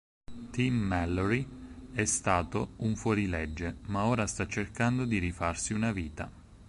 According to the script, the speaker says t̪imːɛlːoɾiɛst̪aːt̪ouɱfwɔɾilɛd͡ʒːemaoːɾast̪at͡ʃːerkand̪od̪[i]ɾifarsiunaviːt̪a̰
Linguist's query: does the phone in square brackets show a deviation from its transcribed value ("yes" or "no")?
no